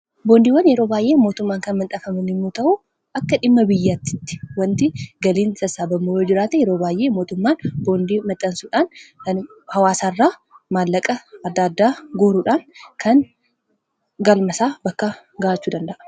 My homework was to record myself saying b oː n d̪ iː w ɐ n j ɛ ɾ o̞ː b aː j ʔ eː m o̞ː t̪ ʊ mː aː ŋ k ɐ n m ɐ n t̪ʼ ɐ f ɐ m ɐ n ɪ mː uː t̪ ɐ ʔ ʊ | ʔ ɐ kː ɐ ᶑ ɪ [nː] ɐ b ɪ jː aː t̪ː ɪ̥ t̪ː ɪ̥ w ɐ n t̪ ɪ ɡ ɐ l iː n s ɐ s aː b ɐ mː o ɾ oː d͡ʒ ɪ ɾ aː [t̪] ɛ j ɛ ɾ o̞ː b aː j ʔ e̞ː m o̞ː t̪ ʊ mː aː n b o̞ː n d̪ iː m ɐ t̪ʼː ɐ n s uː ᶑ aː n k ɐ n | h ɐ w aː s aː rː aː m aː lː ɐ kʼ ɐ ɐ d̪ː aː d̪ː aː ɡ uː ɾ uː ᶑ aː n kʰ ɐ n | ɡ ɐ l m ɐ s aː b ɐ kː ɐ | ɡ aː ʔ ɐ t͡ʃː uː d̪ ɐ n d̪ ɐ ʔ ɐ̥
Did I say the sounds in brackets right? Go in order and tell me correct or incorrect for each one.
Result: incorrect: mː, correct

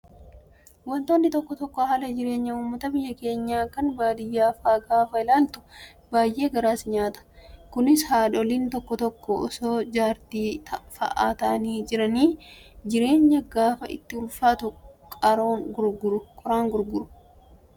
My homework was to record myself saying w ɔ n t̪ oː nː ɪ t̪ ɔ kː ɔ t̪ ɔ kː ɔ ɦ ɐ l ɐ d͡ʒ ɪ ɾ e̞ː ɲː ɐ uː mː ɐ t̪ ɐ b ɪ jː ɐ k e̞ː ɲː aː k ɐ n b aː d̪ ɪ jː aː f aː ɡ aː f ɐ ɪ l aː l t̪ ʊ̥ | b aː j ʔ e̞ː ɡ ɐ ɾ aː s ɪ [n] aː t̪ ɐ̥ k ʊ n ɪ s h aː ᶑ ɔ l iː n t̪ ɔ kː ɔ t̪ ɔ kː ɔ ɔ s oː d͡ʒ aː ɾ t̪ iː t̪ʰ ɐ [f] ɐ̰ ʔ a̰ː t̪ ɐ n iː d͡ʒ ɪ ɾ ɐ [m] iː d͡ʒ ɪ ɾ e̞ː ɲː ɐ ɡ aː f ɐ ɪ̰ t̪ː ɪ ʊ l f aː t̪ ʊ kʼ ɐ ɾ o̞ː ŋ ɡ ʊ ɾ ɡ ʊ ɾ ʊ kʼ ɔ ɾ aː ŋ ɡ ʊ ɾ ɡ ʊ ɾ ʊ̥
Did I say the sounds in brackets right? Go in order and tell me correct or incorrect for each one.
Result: incorrect: ɲ, correct, incorrect: n

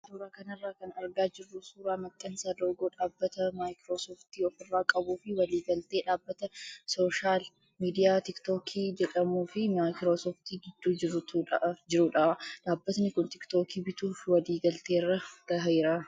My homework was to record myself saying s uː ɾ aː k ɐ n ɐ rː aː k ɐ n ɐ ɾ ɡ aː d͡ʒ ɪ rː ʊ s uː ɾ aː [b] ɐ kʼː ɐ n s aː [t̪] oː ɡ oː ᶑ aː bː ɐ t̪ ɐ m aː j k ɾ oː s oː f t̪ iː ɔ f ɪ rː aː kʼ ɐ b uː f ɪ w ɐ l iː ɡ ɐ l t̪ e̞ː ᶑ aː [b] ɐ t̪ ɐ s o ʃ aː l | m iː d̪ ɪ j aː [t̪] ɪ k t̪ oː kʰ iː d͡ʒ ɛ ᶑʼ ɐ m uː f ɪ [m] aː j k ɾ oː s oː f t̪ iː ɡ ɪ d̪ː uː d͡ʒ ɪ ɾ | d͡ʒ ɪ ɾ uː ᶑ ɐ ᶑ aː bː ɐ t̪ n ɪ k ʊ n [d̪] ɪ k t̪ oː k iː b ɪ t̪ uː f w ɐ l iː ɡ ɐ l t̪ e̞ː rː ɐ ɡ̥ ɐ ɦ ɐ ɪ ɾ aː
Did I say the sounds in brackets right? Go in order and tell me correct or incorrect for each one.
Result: incorrect: m, incorrect: d̪, incorrect: bː, correct, correct, incorrect: t̪

